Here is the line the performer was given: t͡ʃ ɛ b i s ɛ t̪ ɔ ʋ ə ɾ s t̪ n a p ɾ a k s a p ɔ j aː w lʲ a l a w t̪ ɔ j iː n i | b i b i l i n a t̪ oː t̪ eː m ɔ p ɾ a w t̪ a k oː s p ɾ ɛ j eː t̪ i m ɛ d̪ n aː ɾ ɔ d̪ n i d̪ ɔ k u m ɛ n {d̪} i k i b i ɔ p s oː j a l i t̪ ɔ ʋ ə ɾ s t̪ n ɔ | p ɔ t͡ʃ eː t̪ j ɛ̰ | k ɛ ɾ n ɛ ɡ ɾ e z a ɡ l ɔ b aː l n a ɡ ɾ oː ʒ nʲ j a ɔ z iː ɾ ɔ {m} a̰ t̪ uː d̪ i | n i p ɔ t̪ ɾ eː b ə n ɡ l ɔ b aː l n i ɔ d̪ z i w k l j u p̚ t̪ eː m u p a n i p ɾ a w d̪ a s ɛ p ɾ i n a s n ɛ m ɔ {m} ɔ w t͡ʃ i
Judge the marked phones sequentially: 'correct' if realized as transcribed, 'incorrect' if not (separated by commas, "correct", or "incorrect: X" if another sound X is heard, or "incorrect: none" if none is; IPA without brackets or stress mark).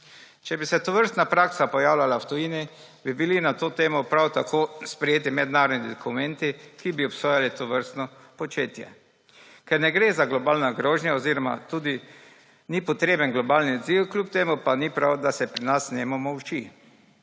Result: incorrect: t̪, correct, correct